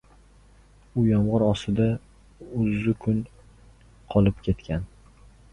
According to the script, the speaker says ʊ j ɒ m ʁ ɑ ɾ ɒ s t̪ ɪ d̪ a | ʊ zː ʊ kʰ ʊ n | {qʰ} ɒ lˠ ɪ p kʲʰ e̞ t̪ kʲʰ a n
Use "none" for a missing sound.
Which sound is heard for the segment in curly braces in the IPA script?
qʰ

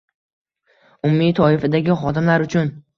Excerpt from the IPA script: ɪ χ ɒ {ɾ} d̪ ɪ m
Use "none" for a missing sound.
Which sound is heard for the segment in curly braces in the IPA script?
none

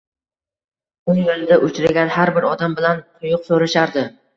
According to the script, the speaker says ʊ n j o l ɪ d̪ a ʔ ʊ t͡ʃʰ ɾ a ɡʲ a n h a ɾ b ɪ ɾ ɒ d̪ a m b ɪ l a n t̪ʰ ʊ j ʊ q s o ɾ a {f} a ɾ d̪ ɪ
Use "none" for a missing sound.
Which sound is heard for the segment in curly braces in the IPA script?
ʃ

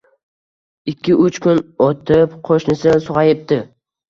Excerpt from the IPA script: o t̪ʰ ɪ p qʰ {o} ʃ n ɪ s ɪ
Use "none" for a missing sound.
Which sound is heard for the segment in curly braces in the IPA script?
o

